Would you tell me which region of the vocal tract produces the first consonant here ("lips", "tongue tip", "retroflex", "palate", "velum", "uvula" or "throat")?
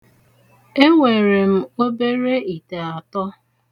velum